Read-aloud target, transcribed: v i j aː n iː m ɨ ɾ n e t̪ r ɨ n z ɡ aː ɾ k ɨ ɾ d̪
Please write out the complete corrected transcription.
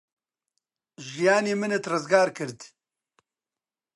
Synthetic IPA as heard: ʒ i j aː n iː m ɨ n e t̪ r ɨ z ɡ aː ɾ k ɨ ɾ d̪

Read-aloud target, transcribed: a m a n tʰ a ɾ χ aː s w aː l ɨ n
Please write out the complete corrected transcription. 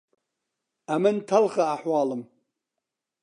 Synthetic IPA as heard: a m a n tʰ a l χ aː ħ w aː l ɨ m

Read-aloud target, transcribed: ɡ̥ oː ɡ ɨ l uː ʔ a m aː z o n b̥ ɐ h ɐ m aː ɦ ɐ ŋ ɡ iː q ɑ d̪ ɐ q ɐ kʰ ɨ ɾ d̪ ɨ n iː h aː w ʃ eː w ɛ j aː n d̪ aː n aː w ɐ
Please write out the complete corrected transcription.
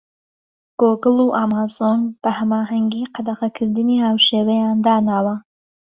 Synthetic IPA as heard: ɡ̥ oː ɡ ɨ l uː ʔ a m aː z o n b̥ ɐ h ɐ m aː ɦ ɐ ŋ ɡ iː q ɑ d̪ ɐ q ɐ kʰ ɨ ɾ d̪ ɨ n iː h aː w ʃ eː w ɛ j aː n d̪ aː n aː w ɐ

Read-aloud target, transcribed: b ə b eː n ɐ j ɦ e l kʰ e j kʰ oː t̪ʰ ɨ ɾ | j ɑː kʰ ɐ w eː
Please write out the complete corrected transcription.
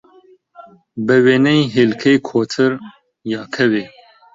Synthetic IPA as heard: b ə w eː n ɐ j ɦ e l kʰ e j kʰ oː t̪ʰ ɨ ɾ | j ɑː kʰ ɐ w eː

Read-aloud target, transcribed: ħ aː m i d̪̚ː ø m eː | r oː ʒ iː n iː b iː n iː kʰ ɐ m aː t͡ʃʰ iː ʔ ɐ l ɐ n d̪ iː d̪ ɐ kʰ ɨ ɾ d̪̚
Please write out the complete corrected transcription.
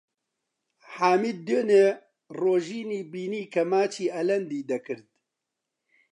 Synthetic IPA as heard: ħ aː m i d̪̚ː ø n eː | r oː ʒ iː n iː b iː n iː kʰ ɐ m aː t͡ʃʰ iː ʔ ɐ l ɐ n d̪ iː d̪ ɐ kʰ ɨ ɾ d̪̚

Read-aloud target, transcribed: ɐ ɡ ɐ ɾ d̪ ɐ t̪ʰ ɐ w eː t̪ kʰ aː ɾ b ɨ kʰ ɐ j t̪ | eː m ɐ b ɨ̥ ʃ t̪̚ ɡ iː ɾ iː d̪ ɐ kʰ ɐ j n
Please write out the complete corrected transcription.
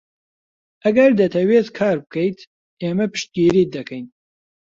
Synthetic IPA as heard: ɐ ɡ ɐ ɾ d̪ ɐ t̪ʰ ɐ w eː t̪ kʰ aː ɾ b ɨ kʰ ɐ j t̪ | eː m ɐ p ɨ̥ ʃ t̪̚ ɡ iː ɾ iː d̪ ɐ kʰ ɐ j n

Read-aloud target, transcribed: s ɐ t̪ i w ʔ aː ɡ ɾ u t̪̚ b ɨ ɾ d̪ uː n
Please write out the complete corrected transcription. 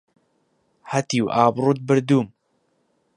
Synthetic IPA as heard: h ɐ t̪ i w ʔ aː b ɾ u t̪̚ b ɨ ɾ d̪ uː m

